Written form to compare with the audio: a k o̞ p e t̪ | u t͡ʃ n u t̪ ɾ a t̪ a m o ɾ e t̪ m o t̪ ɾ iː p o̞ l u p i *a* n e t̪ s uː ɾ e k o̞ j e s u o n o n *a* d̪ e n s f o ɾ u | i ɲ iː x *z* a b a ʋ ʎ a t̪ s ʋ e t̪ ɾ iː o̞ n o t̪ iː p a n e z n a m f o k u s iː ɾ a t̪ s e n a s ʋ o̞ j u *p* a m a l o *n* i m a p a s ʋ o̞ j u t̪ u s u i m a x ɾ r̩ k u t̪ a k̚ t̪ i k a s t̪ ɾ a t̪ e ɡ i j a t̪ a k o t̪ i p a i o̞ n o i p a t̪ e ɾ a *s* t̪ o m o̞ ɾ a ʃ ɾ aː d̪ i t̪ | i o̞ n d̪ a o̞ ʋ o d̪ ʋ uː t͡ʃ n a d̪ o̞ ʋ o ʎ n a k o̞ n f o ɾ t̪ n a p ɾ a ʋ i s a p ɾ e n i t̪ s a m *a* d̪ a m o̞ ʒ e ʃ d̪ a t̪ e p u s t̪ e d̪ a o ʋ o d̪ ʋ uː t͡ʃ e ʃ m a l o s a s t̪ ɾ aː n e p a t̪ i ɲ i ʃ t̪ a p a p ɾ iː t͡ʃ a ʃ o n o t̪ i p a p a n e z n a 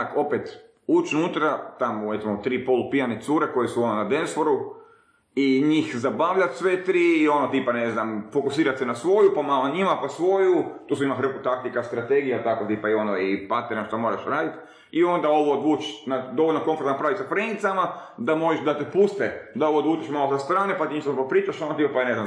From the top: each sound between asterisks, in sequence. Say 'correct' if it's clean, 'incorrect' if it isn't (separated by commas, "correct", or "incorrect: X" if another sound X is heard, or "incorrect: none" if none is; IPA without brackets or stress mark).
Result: correct, correct, correct, correct, incorrect: ɲ, incorrect: ʃ, correct